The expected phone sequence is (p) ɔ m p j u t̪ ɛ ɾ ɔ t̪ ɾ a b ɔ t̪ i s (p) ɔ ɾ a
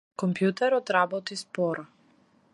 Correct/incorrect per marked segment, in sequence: incorrect, correct

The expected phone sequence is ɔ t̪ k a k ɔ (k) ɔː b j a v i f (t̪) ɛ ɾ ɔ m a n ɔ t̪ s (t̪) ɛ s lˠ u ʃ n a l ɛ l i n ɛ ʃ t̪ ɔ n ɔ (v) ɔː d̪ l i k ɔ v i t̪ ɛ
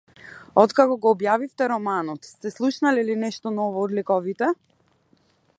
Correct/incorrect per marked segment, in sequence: incorrect, correct, correct, correct

